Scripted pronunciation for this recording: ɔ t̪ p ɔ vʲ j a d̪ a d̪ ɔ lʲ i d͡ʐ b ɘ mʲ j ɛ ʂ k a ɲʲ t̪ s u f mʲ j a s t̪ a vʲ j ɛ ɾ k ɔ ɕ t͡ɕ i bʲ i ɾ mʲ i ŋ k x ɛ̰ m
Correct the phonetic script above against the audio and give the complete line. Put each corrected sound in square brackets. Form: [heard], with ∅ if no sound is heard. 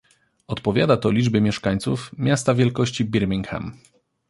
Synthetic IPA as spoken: ɔ t̪ p ɔ vʲ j a d̪ a [t̪] ɔ lʲ i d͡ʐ b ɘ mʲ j ɛ ʂ k a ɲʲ t̪ s u f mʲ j a s t̪ a vʲ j ɛ [l] k ɔ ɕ t͡ɕ i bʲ i ɾ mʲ i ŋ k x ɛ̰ m